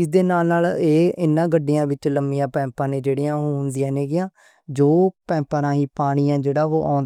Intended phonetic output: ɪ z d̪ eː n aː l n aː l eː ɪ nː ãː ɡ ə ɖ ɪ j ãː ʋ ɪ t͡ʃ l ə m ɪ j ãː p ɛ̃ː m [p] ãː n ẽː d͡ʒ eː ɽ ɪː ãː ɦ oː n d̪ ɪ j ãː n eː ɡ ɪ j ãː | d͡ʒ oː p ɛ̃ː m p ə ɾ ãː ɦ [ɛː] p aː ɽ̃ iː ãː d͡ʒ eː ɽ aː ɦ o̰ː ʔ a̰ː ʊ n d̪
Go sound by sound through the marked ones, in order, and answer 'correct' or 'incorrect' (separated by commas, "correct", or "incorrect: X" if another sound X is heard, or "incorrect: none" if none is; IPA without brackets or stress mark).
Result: correct, incorrect: iː